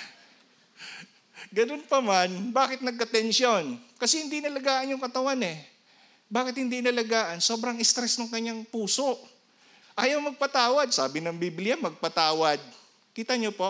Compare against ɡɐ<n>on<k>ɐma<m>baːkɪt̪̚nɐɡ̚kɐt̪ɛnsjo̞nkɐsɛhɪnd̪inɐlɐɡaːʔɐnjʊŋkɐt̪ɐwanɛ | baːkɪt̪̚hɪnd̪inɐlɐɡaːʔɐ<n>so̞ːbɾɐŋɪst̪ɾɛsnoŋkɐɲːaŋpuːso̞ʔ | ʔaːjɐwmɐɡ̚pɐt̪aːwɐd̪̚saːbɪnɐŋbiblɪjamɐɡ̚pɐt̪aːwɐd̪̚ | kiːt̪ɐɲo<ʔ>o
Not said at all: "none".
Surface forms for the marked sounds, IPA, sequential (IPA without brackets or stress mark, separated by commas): n, p, n, n, p